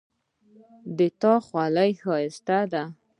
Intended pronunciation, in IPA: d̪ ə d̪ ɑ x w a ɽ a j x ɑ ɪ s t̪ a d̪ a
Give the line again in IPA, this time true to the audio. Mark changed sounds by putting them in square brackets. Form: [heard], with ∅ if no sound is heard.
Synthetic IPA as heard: d̪ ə [t̪] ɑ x w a [l] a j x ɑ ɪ s t̪ a d̪ a